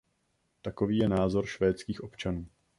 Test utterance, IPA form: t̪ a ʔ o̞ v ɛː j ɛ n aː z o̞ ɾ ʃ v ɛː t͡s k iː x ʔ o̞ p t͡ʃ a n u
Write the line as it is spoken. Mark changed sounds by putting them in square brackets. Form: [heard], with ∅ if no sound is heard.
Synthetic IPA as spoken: t̪ a [k] o̞ v [iː] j ɛ n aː z o̞ ɾ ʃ v ɛː t͡s k iː x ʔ o̞ p t͡ʃ a n [uː]